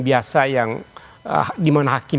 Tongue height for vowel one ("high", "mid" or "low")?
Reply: high